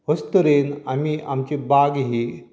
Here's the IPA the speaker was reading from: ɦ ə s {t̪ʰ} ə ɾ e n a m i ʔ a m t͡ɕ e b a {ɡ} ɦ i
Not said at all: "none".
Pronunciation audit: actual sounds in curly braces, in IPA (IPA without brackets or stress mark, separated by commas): t̪, ɡ